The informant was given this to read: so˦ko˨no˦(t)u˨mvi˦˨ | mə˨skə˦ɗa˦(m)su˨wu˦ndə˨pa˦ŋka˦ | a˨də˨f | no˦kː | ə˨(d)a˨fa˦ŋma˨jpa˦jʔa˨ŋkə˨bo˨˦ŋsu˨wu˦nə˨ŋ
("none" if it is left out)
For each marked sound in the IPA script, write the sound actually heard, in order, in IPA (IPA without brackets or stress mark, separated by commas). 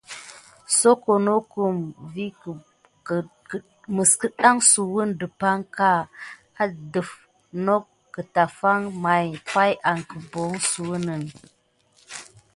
k, ŋ, t